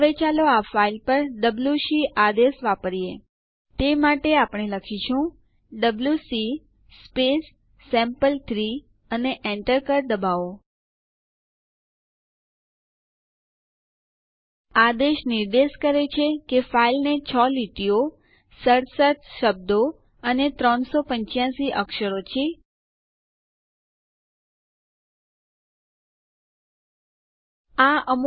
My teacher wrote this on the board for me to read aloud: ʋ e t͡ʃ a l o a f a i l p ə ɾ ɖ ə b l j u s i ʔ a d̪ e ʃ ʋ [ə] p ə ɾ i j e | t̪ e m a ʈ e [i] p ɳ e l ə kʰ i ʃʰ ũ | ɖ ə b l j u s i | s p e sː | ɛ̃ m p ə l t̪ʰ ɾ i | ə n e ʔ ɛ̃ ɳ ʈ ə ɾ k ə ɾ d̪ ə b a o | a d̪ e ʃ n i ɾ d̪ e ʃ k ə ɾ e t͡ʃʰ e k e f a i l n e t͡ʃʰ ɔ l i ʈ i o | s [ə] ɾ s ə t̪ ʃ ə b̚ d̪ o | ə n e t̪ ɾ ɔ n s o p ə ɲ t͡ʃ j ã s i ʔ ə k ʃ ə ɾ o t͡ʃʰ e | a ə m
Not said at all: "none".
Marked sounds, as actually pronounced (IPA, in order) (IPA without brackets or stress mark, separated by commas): a, a, ə